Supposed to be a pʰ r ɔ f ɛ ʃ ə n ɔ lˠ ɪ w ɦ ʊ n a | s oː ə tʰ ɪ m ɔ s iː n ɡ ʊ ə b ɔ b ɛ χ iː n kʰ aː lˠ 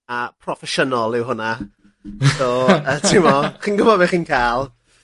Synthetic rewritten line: a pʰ r ɔ f ɛ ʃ ə n ɔ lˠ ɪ w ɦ ʊ n a | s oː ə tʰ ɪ m ɔ χ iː n ɡ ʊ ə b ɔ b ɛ χ iː n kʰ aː lˠ